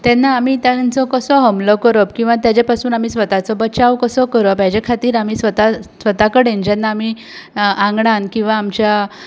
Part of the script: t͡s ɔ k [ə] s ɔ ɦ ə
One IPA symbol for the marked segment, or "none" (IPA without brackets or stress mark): ə